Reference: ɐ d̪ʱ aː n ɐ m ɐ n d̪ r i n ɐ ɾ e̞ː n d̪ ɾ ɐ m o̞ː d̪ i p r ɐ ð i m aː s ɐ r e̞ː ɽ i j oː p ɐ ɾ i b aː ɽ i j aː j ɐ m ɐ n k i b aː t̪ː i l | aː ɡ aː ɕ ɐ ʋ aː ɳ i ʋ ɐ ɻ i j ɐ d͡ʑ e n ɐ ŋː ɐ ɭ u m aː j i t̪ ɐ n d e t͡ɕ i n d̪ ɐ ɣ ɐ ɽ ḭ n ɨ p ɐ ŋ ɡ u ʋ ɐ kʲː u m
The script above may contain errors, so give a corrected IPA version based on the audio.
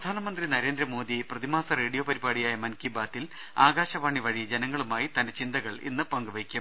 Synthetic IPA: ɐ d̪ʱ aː n ɐ m ɐ n d̪ r i n ɐ ɾ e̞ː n d̪ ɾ ɐ m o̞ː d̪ i p r ɐ ð i m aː s ɐ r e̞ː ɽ i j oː p ɐ ɾ i b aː ɽ i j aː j ɐ m ɐ n k i b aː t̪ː i l | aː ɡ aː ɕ ɐ ʋ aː ɳ i ʋ ɐ ɻ i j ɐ d͡ʑ e n ɐ ŋː ɐ ɭ u m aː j i t̪ ɐ n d e t͡ɕ i n d̪ ɐ ɣ ɐ ɭ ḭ nː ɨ p ɐ ŋ ɡ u ʋ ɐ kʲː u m